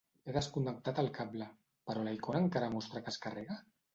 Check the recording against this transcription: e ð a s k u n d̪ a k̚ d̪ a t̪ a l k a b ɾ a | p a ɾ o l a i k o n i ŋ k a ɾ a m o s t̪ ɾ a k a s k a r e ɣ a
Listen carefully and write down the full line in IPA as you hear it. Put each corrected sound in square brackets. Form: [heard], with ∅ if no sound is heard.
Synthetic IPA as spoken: e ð a s k u n d̪ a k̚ [t̪] a t̪ a l k a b [l] a | p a ɾ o l a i k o n [a] ŋ k a ɾ a m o s t̪ ɾ a k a s k a r e ɣ a